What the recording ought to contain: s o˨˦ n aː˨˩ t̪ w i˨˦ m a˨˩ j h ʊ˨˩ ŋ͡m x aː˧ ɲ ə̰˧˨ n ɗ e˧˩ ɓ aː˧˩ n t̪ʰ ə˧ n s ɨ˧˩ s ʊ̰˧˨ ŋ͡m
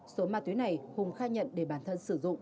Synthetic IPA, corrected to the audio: s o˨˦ m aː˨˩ t̪ w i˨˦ n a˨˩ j h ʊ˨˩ ŋ͡m x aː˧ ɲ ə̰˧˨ n ɗ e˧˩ ɓ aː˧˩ n t̪ʰ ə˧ n s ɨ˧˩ z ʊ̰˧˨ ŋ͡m